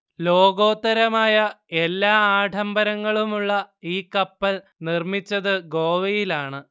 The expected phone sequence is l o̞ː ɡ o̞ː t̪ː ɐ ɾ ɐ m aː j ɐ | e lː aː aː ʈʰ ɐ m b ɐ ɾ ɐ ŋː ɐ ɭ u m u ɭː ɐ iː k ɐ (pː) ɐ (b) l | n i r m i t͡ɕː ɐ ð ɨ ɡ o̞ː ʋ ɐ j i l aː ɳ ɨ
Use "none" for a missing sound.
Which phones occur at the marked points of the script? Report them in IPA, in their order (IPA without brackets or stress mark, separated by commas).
pː, none